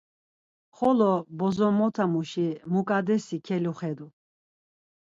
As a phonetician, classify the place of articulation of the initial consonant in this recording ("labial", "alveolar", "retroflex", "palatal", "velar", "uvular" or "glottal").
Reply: uvular